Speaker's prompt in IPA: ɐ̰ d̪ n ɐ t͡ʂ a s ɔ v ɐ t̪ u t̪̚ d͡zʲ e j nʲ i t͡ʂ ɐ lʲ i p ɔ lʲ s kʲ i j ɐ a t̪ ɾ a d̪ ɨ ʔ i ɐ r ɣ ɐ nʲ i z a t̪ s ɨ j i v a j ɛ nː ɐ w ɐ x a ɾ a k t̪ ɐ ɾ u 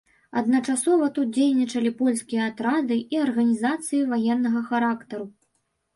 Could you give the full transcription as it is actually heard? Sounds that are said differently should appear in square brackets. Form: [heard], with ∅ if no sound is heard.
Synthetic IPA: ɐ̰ d̪ n ɐ t͡ʂ a s ɔ v ɐ t̪ u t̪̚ d͡zʲ e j nʲ i t͡ʂ ɐ lʲ i p ɔ lʲ s kʲ i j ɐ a t̪ ɾ a d̪ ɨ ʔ i ɐ r ɣ ɐ nʲ i z a t̪ s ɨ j i v a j ɛ nː ɐ [ɣ] ɐ x a ɾ a k t̪ ɐ ɾ u